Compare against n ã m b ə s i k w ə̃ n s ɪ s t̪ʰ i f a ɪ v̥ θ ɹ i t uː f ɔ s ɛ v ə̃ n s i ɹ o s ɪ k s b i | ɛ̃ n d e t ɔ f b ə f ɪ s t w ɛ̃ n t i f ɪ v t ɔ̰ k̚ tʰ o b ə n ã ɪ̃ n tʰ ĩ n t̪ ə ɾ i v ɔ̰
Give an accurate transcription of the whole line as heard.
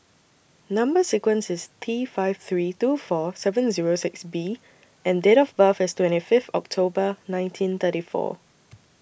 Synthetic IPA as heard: n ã m b ə s i k w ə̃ n s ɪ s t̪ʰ i f a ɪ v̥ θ ɹ i t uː f ɔ s ɛ v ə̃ n z i ɹ o s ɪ k s b i | ɛ̃ n d e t ɔ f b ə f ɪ s t w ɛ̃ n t i f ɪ f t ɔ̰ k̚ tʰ o b ə n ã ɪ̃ n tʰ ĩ n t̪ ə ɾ i f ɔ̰